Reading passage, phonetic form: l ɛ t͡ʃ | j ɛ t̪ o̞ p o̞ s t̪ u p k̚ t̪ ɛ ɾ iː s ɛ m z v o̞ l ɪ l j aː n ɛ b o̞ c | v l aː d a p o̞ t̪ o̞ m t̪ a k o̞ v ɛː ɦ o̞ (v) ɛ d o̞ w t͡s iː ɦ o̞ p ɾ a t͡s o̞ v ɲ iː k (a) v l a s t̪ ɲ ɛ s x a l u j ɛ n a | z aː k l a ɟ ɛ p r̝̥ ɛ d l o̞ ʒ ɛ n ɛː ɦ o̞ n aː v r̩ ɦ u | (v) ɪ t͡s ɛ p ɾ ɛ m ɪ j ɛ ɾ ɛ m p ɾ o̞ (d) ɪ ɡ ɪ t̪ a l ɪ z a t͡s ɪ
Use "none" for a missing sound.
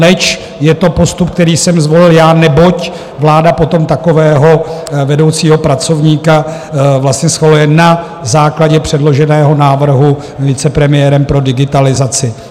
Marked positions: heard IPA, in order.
v, a, v, d

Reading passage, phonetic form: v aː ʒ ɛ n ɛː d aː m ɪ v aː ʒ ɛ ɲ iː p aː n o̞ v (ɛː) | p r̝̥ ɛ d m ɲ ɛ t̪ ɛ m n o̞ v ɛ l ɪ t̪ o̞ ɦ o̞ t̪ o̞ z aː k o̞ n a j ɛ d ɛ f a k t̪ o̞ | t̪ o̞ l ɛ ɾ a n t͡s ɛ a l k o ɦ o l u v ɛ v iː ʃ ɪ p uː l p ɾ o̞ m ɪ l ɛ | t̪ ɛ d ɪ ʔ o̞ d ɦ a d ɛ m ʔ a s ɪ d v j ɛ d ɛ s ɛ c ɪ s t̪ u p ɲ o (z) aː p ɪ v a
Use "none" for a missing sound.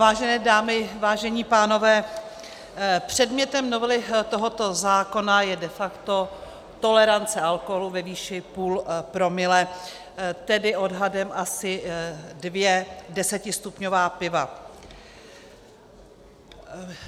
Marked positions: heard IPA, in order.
ɛː, v

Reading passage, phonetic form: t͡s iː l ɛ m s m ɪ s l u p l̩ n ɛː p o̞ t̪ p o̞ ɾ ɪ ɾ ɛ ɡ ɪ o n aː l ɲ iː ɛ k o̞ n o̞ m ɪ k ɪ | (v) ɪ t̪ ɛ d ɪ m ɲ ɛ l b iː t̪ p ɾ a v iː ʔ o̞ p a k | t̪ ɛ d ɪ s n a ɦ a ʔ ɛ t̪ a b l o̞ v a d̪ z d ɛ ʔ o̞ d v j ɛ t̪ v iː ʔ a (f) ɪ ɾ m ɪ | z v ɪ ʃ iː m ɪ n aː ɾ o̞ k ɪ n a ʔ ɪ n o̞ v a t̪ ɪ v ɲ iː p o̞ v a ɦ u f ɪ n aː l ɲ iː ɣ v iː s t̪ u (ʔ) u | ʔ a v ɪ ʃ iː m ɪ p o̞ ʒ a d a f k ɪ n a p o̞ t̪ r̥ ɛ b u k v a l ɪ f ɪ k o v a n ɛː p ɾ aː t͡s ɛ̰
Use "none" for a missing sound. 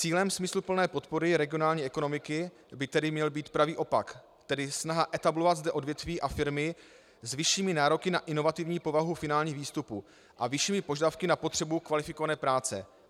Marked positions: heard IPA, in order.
b, f, p

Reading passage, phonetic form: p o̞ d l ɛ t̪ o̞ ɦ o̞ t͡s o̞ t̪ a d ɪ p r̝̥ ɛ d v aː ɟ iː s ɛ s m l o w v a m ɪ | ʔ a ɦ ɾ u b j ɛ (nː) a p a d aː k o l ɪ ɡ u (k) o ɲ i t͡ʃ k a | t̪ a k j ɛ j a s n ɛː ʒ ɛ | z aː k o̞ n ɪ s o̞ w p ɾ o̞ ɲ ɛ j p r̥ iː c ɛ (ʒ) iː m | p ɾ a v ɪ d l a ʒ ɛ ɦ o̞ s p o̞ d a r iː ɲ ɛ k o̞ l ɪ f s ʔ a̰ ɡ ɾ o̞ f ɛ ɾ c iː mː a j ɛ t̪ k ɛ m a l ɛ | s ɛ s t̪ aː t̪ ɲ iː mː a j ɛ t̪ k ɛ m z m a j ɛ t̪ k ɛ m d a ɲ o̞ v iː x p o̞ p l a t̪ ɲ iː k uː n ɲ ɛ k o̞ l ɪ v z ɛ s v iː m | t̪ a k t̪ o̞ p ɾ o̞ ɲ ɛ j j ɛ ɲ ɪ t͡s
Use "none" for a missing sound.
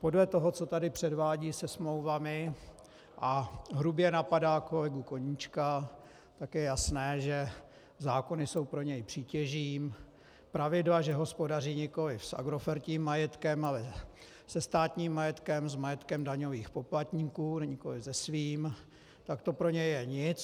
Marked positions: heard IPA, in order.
n, k, ʒ

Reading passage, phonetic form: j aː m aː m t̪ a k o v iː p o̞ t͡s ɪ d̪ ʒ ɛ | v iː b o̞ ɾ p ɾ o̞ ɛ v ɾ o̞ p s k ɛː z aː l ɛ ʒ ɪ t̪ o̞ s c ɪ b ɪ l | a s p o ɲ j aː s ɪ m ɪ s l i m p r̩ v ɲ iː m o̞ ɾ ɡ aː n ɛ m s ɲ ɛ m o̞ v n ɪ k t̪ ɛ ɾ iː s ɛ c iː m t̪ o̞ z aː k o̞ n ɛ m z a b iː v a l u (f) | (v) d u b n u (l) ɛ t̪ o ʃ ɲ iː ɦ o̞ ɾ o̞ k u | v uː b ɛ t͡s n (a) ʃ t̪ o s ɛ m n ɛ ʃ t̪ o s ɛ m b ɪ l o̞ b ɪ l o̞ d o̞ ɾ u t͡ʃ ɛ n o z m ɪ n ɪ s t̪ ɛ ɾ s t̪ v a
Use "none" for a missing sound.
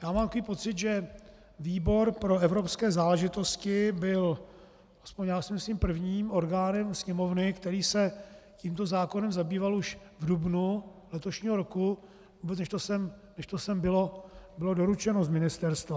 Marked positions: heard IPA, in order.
ʃ, v, l, ɛ

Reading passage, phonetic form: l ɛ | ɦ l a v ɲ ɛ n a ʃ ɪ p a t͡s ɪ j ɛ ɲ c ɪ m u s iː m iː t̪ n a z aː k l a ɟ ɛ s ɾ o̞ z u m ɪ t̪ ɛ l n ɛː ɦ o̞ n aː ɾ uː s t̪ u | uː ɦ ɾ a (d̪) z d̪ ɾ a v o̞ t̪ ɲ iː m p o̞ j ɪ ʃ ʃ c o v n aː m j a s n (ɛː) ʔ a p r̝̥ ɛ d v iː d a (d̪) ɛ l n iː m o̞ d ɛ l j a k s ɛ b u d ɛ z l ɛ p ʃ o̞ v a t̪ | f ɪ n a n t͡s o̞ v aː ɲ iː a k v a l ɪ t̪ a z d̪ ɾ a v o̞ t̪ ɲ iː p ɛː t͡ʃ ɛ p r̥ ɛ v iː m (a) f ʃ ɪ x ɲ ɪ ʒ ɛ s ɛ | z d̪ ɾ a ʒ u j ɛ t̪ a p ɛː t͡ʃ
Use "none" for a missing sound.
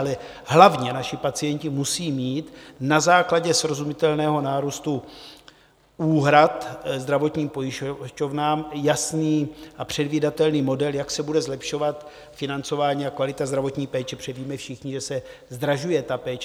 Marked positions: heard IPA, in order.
t̪, iː, t̪, ɛ

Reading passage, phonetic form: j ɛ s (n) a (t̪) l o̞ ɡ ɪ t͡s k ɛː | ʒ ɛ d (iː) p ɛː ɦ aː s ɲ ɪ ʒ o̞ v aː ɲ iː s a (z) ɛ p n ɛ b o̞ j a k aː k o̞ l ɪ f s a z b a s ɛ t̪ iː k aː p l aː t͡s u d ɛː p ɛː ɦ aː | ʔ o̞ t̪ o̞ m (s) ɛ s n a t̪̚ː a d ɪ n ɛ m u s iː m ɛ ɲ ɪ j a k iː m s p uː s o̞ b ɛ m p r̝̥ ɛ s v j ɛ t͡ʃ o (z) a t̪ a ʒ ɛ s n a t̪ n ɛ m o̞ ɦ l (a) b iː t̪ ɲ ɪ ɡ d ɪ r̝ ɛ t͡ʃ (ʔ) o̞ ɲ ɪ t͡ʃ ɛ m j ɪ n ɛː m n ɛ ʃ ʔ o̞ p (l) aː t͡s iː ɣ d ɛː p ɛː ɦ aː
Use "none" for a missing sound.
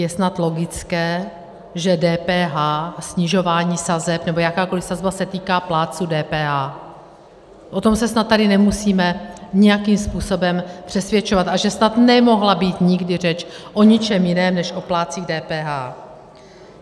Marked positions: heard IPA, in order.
n, t̪, ɛː, z, s, v, a, ʔ, l

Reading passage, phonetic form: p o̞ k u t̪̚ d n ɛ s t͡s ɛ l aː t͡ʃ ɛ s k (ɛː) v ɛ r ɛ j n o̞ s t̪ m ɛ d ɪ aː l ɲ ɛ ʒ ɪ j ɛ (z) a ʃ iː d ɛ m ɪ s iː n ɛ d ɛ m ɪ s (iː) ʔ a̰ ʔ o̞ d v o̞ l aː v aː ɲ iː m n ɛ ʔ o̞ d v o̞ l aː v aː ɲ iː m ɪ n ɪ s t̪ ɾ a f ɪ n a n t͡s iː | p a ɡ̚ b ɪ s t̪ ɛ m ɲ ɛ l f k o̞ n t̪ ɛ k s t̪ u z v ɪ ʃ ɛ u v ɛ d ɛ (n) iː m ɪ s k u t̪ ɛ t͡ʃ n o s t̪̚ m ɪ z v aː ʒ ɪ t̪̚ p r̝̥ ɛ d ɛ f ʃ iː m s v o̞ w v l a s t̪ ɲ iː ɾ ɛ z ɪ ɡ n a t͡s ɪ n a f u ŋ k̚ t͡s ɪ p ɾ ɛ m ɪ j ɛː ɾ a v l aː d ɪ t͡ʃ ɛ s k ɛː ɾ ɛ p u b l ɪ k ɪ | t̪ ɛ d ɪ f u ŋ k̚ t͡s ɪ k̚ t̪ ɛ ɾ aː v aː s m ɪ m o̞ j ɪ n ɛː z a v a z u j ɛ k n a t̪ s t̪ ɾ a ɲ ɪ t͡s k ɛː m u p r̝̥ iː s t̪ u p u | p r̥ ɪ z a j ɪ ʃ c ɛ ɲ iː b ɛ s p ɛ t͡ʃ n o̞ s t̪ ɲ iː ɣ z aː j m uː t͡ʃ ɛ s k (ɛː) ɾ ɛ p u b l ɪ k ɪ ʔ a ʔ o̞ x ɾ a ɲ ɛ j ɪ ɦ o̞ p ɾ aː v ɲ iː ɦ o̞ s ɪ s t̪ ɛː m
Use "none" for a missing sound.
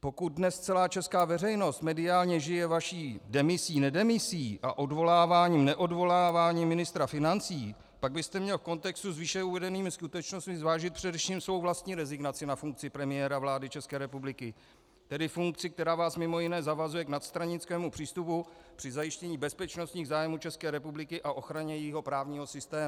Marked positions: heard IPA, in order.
aː, v, iː, n, ɛː

